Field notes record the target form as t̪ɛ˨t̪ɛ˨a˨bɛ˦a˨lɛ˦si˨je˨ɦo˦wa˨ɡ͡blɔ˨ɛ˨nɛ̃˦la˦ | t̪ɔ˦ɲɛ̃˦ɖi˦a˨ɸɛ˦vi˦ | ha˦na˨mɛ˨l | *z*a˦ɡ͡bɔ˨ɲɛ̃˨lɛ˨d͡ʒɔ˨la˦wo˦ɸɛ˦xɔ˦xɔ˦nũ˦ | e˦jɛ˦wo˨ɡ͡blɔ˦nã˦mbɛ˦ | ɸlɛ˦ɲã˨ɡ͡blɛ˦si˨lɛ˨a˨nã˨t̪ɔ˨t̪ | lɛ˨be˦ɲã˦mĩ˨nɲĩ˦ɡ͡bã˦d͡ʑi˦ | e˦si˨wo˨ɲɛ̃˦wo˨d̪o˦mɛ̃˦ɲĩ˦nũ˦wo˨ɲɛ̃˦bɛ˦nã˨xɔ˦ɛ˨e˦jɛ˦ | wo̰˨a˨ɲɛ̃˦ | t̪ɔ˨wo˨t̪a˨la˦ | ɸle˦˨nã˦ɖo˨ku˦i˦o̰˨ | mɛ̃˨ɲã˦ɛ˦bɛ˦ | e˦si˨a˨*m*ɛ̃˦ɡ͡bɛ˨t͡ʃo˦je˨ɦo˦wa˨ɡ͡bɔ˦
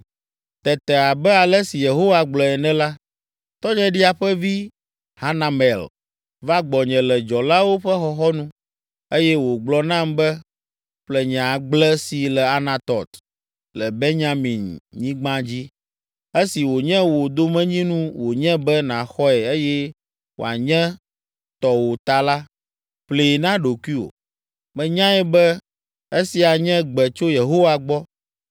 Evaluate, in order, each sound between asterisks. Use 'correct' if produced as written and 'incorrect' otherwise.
incorrect: v, incorrect: ɲ

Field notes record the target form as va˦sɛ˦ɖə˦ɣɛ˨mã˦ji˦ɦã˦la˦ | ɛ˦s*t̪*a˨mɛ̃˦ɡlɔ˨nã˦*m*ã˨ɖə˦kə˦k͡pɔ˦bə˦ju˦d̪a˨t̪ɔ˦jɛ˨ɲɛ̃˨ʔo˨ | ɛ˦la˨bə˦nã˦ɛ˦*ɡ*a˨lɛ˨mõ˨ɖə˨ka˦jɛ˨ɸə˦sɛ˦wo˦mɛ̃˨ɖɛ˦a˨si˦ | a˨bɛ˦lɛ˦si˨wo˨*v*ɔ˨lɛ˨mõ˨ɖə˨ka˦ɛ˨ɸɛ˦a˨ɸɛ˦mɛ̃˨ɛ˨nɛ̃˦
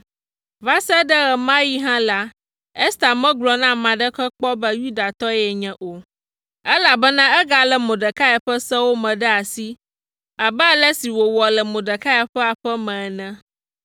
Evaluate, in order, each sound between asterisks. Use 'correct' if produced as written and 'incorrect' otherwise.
correct, correct, correct, incorrect: w

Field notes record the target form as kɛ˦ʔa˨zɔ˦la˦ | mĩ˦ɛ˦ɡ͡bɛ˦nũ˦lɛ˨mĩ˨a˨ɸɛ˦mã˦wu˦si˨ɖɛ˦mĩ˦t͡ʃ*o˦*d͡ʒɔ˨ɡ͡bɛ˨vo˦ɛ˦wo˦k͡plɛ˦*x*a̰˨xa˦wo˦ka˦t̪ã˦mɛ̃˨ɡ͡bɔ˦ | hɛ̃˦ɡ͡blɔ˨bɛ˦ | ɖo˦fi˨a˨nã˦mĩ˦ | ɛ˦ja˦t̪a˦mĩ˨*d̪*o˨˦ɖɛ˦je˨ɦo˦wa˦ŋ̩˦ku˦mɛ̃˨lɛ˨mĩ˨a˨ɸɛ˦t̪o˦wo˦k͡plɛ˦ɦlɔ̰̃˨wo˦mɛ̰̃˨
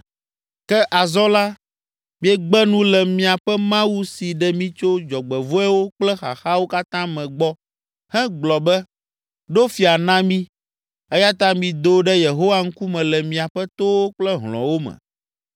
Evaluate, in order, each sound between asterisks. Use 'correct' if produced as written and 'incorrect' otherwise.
correct, correct, correct

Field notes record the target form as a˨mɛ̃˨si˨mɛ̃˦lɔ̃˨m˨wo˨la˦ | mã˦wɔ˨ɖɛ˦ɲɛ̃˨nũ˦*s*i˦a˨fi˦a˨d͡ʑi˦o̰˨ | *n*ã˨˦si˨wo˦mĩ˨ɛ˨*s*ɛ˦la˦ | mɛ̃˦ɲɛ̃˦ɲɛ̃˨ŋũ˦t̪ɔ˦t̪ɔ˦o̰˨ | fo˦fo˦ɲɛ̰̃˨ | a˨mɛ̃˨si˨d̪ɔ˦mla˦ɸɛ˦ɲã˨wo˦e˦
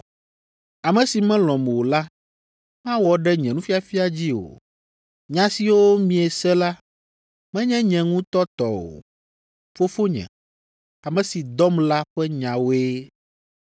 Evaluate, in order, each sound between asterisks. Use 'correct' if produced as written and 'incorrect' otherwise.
incorrect: f, incorrect: ɲ, correct

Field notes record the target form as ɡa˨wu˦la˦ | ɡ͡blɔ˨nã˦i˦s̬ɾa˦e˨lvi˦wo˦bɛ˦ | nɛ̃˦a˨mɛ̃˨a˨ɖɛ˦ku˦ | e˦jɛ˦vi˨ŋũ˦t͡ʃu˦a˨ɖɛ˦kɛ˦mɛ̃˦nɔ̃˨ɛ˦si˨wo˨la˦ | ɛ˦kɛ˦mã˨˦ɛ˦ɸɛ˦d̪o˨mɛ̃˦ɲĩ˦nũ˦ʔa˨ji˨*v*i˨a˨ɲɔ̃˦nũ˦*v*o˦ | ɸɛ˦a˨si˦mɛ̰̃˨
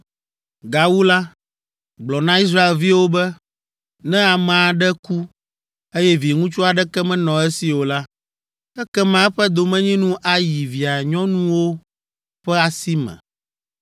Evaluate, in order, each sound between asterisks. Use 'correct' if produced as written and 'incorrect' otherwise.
correct, incorrect: w

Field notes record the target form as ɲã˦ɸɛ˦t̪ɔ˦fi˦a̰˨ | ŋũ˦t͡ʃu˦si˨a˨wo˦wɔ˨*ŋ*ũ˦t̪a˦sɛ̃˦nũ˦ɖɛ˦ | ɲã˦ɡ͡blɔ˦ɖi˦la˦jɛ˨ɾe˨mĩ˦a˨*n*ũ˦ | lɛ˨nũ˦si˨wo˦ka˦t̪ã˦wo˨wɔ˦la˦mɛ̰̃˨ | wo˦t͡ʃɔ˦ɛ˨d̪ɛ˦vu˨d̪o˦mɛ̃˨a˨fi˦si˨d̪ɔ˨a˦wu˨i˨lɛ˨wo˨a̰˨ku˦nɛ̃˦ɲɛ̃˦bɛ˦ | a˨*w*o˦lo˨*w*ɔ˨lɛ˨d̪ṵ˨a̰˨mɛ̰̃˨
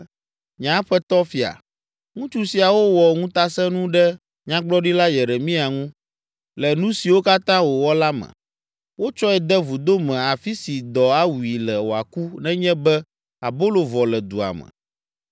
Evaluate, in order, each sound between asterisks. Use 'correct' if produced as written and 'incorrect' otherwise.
correct, incorrect: ŋ, incorrect: b, incorrect: v

